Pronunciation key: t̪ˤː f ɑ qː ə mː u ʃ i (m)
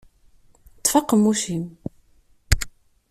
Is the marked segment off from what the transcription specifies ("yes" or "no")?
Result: no